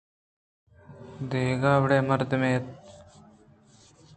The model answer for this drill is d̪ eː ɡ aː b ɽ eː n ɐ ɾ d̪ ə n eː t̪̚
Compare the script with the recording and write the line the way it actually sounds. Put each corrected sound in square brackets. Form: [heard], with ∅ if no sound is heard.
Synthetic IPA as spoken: d̪ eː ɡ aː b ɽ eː [m] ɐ ɾ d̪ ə [m] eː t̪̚